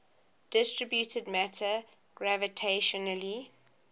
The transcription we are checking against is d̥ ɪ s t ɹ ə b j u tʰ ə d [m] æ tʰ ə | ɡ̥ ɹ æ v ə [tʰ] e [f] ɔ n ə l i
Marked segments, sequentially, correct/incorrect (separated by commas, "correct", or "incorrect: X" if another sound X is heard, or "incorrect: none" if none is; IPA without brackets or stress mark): correct, correct, incorrect: ʃ